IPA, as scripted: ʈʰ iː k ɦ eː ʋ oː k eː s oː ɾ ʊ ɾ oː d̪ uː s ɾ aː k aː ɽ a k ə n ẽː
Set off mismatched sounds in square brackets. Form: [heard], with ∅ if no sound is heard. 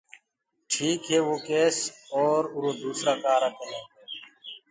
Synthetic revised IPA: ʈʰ iː k ɦ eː ʋ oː k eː s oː ɾ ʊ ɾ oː d̪ uː s ɾ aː k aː [ɾ] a k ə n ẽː